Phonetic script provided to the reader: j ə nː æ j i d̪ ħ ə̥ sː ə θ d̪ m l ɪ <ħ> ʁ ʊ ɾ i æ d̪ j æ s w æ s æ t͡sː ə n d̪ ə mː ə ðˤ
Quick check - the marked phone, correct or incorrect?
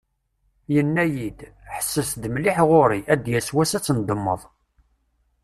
correct